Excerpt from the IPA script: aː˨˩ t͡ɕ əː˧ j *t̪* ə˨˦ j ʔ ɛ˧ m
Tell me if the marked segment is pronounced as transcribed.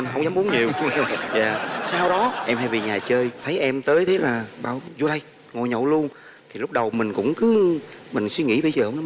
no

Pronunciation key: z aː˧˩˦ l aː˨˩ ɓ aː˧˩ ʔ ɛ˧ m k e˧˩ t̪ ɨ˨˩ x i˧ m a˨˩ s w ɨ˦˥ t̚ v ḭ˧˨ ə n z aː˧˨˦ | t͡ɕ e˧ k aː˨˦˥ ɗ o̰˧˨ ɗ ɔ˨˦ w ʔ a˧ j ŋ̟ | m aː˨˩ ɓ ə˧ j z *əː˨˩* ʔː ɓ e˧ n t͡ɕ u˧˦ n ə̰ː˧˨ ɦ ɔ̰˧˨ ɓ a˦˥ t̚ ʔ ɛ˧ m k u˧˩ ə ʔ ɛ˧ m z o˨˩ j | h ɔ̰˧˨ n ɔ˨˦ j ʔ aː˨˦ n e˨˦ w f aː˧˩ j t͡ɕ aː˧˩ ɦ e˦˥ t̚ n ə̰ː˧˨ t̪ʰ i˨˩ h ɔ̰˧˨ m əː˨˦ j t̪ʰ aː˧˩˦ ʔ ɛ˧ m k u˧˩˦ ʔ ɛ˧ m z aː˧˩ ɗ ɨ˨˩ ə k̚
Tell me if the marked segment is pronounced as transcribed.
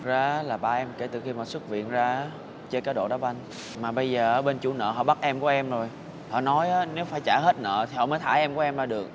yes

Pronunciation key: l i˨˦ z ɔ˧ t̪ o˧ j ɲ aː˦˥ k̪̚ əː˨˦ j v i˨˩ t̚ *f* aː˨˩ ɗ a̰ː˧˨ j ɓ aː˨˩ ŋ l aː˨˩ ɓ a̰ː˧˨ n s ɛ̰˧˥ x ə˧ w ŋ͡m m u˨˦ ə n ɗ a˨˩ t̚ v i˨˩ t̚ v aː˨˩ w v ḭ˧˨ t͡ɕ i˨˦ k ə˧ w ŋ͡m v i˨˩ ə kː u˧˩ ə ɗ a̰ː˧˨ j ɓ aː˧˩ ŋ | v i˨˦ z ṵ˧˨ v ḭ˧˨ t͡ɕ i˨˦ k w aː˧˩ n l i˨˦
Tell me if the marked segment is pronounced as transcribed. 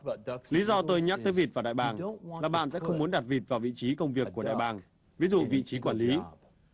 no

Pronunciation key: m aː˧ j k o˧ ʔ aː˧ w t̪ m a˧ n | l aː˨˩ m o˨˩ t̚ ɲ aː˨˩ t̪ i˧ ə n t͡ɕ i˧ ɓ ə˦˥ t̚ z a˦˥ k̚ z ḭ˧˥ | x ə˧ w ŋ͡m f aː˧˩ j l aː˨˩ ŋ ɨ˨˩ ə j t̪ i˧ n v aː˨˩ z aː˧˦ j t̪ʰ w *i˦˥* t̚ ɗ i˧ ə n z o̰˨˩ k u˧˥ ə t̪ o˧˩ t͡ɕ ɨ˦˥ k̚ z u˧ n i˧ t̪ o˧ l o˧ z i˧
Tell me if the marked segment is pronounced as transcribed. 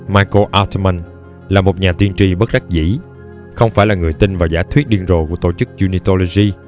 yes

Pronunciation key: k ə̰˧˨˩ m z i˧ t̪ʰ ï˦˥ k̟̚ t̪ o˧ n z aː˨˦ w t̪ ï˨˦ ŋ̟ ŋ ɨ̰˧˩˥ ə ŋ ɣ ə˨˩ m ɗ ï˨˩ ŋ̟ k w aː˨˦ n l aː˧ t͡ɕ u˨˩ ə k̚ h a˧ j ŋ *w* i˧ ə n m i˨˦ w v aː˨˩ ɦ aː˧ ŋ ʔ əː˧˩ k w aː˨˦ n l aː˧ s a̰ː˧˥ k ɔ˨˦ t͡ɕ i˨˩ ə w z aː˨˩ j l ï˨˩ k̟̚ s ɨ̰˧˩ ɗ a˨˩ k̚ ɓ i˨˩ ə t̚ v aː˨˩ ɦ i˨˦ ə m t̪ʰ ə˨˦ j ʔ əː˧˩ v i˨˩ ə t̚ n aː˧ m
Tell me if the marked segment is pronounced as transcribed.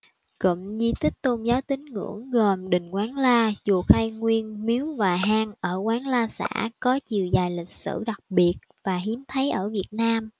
yes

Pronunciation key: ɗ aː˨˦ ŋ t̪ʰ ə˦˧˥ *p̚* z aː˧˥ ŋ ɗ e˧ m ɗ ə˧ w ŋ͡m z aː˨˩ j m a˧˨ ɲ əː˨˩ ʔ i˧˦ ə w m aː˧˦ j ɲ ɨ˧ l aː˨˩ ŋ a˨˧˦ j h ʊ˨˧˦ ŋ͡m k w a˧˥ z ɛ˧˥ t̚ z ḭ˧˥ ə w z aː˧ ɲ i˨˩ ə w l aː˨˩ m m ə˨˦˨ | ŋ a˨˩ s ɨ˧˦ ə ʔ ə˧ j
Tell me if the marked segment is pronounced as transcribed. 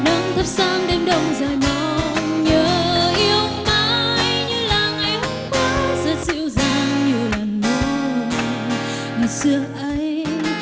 yes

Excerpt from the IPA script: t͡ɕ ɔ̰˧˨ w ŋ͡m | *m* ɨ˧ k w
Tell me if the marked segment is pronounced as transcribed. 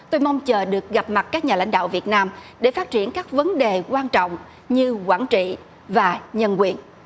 no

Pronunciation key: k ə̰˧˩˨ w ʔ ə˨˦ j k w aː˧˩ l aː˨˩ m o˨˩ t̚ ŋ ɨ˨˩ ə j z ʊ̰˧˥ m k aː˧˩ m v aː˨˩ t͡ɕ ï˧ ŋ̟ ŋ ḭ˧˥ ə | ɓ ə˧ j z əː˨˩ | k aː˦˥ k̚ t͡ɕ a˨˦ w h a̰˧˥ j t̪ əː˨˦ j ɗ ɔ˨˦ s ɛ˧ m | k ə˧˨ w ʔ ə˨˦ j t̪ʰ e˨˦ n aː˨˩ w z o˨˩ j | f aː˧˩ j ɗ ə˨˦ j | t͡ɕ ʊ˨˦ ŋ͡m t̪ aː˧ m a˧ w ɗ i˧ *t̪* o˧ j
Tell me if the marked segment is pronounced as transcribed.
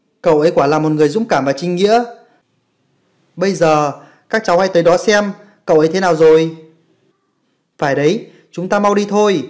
no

